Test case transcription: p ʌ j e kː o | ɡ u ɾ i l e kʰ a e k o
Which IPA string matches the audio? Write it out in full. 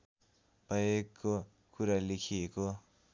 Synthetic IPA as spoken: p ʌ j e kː o | k u ɾ a l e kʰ i e k o